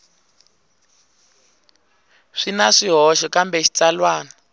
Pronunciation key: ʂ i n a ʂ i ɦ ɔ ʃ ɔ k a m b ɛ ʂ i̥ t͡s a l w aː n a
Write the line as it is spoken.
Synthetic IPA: ʂ i n a ʂ i ɦ ɔ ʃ ɔ k a m b ɛ ʃ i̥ t͡s a l w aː n a